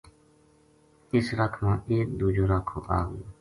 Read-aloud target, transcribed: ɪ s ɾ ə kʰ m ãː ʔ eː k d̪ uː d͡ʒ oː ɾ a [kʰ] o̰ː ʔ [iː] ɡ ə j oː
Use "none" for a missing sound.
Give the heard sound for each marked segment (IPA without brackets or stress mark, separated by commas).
kʰ, aː